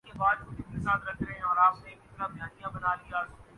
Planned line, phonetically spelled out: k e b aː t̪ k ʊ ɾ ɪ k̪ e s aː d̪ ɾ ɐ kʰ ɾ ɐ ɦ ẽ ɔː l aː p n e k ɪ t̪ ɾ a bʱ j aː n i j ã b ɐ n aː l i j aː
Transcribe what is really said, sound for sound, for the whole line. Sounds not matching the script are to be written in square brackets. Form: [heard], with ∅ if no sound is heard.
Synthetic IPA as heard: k e b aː [d̪] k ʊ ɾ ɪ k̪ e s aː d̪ ɾ ɐ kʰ ɾ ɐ ɦ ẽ ɔː [ɾ] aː p n e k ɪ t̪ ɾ a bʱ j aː n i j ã b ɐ n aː l i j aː